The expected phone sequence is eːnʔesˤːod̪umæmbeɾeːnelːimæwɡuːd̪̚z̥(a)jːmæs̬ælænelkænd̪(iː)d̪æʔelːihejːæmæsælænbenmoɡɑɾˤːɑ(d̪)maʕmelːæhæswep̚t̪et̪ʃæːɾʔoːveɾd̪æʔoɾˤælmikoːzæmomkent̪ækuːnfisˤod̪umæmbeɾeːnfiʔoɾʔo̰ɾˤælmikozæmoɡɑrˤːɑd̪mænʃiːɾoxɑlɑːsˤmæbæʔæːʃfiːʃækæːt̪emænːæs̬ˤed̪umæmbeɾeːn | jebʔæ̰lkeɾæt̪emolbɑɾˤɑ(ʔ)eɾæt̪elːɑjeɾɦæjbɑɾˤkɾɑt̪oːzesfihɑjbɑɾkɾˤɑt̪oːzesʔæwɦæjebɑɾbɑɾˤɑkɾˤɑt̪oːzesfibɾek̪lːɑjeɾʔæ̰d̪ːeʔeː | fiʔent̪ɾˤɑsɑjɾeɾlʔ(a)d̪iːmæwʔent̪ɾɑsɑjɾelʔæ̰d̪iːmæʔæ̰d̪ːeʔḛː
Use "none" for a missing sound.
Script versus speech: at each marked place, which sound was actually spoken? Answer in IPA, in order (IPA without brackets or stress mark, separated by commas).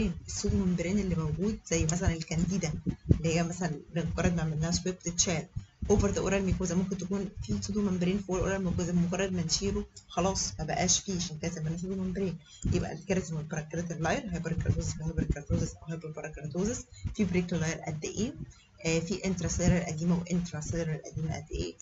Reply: æ, iː, d̪, k, æ